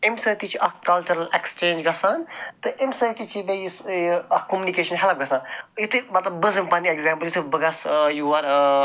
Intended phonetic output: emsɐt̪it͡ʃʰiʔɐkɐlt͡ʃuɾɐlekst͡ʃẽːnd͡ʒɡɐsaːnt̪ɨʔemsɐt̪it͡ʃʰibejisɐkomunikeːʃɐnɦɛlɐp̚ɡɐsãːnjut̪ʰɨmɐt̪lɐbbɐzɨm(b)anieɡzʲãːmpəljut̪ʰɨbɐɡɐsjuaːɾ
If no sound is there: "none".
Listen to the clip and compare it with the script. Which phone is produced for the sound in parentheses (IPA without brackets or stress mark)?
p